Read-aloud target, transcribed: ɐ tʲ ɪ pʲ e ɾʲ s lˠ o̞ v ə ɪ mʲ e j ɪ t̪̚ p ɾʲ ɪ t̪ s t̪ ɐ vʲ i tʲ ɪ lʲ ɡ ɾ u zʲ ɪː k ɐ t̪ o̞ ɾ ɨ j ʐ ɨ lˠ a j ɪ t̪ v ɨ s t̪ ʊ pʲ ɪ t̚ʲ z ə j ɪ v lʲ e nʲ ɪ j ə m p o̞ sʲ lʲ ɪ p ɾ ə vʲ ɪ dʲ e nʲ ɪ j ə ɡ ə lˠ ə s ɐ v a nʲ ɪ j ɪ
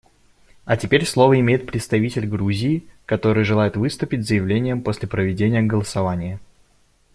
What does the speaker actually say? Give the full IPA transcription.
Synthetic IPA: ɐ tʲ ɪ pʲ e ɾʲ s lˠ o̞ v ə ɪ mʲ e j ɪ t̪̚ p ɾʲ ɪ t̪ s t̪ ɐ vʲ i tʲ ɪ lʲ ɡ ɾ u zʲ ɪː k ɐ t̪ o̞ ɾ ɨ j ʐ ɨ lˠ a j ɪ t̪ v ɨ s t̪ ʊ pʲ ɪ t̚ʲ z ə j ɪ v lʲ e nʲ ɪ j ə m p o̞ sʲ lʲ ɪ p ɾ ə vʲ ɪ dʲ e nʲ ɪ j ə ɡ ə lˠ ə s ɐ v a nʲ ɪ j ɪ

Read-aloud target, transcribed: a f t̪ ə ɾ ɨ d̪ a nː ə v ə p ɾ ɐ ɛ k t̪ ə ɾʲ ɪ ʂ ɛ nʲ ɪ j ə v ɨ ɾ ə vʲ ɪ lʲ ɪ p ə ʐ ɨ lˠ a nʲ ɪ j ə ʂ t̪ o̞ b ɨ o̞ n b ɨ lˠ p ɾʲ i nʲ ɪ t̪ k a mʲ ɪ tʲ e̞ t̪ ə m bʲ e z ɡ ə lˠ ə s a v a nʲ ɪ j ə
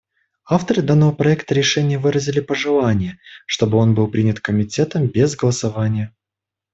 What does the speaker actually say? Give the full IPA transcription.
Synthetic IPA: a f t̪ ə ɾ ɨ d̪ a nː ə v ə p ɾ ɐ ɛ k t̪ ə ɾʲ ɪ ʂ ɛ nʲ ɪ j ə v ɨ ɾ ə zʲ ɪ lʲ ɪ p ə ʐ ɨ lˠ a nʲ ɪ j ə ʂ t̪ o̞ b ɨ o̞ n b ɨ lˠ p ɾʲ i nʲ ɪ t̪ k ə mʲ ɪ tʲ e̞ t̪ ə m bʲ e z ɡ ə lˠ ə s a v a nʲ ɪ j ə

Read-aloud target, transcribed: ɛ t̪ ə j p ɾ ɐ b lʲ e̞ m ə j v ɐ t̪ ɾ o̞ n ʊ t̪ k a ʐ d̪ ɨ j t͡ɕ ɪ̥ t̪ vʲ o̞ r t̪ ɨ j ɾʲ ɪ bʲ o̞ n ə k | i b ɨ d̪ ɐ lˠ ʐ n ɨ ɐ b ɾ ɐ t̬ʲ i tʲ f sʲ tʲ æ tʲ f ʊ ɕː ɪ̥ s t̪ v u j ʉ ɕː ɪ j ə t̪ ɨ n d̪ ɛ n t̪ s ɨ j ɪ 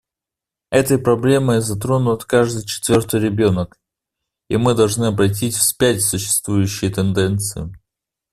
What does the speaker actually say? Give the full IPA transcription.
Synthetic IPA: ɛ t̪ ə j p ɾ ɐ b lʲ e̞ m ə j z ɐ t̪ ɾ o̞ n ʊ t̪ k a ʐ d̪ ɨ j t͡ɕ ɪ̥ t̪ vʲ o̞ r t̪ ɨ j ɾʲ ɪ bʲ o̞ n ə k | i m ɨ d̪ ɐ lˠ ʐ n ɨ ɐ b ɾ ɐ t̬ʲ i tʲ f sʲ pʲ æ tʲ s ʊ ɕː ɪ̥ s t̪ v u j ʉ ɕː ɪ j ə t̪ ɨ n d̪ ɛ n t̪ s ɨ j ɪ

